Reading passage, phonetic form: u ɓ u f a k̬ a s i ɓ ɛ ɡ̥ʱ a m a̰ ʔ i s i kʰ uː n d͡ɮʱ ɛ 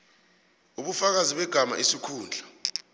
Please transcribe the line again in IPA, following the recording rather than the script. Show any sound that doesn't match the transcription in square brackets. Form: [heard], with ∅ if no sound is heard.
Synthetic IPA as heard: u ɓ u f a k̬ a [z] i ɓ ɛ ɡ̥ʱ a m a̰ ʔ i s i kʰ uː n d͡ɮʱ [a]